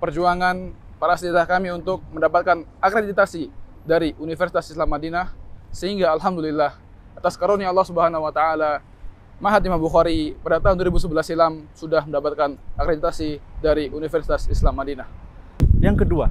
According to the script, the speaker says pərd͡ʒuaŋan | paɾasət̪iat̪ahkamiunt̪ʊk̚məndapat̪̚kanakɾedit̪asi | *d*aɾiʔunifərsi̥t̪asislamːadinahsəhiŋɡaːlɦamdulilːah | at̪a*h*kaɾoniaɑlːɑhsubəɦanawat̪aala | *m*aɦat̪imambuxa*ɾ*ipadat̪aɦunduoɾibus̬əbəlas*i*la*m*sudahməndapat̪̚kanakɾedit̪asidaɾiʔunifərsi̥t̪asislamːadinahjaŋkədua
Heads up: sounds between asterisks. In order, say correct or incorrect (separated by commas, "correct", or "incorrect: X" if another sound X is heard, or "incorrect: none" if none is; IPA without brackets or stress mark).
correct, incorrect: s, correct, correct, correct, correct